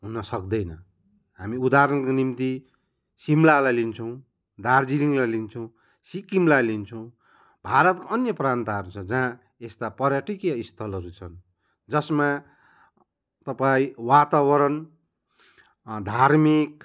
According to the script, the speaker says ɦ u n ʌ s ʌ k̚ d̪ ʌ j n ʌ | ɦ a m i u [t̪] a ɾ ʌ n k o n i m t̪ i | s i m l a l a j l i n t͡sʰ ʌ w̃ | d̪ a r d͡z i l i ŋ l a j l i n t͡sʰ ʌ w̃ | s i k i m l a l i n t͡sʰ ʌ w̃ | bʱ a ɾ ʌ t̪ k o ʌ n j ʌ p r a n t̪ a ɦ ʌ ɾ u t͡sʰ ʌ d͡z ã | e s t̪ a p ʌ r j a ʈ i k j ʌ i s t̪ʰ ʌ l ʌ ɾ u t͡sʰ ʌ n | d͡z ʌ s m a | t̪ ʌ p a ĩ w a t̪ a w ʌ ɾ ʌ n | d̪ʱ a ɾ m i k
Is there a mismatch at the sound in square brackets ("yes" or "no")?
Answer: yes